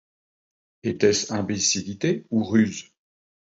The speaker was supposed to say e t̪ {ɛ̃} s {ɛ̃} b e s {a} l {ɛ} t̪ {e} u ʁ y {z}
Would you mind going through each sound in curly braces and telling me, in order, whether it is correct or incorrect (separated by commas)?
incorrect, correct, incorrect, incorrect, correct, correct